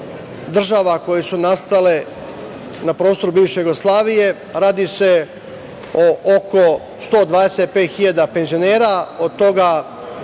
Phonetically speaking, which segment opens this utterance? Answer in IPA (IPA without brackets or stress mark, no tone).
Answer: d̪